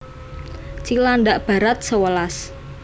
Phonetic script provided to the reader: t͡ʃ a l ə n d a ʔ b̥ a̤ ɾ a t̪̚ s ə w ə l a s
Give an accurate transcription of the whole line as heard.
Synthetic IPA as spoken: t͡ʃ i l a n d a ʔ b̥ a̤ ɾ a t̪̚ s ə w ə l a s